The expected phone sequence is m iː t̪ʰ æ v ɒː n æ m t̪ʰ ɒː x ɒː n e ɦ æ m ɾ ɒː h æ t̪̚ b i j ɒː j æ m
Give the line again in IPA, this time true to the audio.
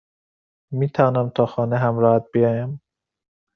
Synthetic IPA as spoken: m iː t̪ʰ æ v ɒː n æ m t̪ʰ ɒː x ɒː n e ɦ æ m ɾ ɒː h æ t̪̚ b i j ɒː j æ m